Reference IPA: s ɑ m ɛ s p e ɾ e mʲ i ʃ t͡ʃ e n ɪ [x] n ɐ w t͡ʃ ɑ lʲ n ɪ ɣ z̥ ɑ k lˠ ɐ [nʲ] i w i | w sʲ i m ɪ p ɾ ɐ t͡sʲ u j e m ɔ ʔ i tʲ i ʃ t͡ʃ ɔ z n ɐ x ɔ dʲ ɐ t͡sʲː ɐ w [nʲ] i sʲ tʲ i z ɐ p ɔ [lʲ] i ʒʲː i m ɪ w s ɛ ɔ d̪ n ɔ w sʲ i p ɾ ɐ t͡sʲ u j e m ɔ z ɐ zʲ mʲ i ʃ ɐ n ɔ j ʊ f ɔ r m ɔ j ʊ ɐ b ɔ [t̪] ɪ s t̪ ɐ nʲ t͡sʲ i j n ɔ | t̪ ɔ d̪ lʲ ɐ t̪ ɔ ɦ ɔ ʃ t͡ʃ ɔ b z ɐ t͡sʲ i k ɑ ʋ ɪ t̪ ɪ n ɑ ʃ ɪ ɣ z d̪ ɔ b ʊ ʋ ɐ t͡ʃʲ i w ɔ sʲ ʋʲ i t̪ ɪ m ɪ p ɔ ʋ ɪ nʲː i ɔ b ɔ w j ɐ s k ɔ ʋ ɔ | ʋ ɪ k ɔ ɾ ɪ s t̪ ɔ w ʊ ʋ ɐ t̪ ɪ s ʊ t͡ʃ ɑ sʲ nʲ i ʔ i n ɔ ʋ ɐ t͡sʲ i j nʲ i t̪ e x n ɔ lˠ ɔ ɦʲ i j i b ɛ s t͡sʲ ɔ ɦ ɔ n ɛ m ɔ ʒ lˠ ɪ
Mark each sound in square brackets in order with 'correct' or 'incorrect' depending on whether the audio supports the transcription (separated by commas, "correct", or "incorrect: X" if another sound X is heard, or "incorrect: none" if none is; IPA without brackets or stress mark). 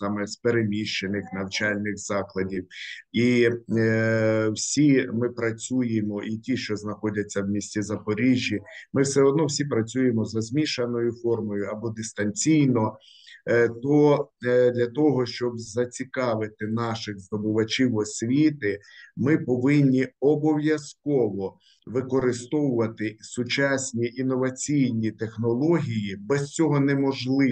correct, incorrect: dʲ, incorrect: mʲ, incorrect: ɾʲ, incorrect: d̪